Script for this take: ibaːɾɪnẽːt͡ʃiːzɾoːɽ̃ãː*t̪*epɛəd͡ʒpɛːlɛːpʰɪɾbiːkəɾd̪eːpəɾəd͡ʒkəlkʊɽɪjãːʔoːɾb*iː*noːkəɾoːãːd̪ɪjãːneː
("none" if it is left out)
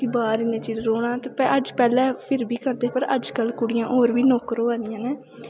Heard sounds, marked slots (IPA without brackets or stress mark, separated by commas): t̪, iː